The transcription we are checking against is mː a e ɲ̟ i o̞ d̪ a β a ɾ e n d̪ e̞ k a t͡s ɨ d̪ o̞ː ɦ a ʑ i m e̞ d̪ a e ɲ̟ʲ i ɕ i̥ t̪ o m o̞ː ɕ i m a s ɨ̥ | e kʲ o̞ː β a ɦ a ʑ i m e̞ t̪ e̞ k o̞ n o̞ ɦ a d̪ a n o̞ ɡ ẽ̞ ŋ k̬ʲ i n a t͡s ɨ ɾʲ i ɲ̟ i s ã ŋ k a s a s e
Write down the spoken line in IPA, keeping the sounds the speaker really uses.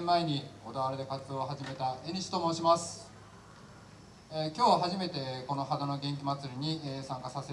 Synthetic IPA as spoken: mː a e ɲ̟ i o̞ d̪ a β a ɾ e d̪ e̞ k a t͡s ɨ d̪ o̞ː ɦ a ʑ i m e̞ t̪ a e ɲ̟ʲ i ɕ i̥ t̪ o m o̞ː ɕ i m a s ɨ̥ | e kʲ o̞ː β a ɦ a ʑ i m e̞ t̪ e̞ k o̞ n o̞ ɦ a d̪ a n o̞ ɡ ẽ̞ ŋ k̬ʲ i m a t͡s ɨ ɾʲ i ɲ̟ i s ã ŋ k a s a s e